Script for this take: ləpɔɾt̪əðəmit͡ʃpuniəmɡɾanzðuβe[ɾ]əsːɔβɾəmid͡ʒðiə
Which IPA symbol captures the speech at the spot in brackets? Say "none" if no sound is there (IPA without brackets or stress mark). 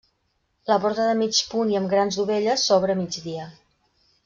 ʎ